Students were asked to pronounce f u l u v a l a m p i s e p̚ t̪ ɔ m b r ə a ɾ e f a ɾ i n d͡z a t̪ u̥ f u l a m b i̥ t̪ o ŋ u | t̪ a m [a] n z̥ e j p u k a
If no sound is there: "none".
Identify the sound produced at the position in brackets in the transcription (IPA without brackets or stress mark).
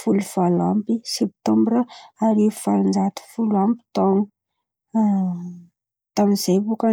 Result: i